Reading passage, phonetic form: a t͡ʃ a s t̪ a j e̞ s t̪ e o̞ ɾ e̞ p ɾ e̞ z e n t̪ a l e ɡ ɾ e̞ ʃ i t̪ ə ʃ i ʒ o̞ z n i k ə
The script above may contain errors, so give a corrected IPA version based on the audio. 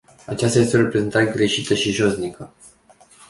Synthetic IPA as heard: a t͡ʃ a s t̪ a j e̞ s t̪ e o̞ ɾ e̞ p ɾ e̞ z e n t̪ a ɾ e ɡ ɾ e̞ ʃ i t̪ ə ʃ i ʒ o̞ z n i k ə